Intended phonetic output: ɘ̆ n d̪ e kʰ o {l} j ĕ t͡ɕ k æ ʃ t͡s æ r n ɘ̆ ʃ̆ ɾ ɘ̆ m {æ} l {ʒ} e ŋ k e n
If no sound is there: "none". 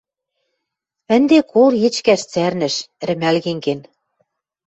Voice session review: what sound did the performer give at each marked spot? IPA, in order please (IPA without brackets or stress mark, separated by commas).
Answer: l, æ, ɣ